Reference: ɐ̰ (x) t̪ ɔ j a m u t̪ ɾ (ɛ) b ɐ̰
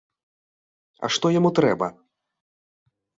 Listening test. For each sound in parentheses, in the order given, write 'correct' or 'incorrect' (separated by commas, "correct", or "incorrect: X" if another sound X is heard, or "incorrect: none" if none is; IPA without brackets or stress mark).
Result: incorrect: ʂ, correct